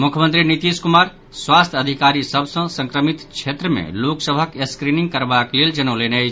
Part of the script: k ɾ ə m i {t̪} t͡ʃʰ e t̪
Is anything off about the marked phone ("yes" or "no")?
no